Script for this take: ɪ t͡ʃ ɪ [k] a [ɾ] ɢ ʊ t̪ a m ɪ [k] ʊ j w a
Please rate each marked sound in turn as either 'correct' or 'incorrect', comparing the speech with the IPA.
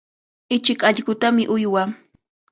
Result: correct, incorrect, incorrect

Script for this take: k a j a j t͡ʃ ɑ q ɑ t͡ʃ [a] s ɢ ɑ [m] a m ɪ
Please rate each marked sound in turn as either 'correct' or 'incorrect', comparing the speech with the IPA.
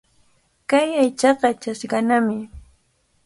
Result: correct, incorrect

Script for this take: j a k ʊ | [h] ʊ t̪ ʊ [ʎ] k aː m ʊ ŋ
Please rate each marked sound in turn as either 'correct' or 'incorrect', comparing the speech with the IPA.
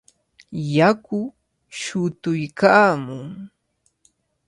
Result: incorrect, incorrect

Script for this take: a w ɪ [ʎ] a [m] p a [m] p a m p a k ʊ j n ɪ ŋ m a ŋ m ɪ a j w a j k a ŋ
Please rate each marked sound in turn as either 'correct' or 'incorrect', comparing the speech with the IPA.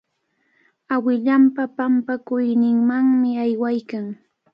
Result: correct, correct, incorrect

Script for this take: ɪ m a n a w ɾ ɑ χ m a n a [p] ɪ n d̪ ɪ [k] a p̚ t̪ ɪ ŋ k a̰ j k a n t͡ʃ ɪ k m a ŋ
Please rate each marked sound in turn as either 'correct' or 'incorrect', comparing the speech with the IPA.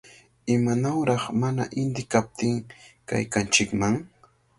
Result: incorrect, correct

